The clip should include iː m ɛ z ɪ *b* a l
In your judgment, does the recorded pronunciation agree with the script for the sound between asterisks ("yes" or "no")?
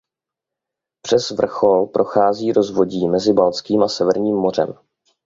yes